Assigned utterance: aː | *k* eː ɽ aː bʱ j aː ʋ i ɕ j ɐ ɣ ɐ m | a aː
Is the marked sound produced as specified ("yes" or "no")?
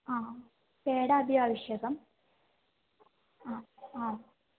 no